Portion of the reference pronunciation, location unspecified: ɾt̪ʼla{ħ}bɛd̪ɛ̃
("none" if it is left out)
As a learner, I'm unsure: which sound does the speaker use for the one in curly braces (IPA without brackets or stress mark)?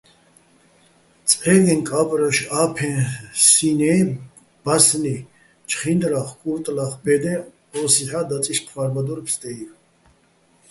χ